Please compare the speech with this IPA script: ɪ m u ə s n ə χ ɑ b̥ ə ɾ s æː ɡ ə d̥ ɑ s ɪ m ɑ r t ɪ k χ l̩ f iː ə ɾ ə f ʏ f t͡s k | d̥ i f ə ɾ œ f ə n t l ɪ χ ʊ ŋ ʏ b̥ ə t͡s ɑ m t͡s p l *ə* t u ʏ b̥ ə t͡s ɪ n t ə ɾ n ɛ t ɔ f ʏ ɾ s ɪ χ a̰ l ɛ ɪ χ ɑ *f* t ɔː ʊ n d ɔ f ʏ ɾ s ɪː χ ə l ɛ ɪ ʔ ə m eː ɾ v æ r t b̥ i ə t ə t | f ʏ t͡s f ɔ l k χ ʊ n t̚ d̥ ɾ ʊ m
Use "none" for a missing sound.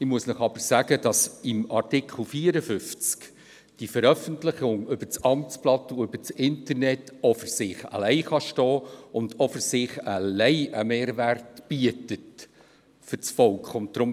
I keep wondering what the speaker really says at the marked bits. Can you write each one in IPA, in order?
ɑ, ʃ

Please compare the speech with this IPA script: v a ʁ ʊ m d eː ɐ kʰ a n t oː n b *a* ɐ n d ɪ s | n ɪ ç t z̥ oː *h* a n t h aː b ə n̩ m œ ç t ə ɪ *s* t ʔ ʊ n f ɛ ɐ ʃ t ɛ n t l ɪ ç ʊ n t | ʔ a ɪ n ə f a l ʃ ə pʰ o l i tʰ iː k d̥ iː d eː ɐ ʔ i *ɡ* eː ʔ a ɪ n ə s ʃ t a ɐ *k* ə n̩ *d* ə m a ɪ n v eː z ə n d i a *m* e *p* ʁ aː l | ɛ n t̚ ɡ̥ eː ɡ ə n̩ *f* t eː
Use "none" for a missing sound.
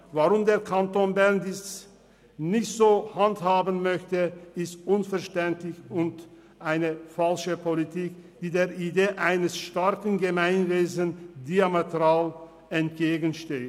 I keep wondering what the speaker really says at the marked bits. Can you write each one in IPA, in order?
ɛ, h, s, d, k, ɡ, m, t, ʃ

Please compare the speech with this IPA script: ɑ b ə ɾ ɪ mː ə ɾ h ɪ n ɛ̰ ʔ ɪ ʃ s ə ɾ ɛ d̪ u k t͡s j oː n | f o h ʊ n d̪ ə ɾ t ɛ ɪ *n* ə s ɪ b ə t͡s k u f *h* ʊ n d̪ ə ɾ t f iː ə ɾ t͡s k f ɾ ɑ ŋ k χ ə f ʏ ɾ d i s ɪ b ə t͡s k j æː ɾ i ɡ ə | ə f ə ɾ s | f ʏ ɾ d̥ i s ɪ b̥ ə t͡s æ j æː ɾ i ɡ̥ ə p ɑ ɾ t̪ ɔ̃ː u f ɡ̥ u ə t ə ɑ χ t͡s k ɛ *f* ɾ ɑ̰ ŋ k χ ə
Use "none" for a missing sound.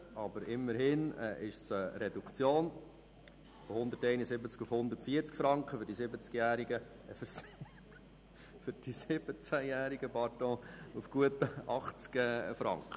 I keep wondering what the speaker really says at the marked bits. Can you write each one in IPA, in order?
n, h, f

